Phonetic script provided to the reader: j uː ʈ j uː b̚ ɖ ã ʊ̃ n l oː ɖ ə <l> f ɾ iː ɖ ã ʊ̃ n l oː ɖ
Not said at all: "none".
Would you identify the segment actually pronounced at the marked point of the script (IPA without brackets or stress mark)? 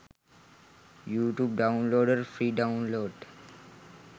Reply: ɾ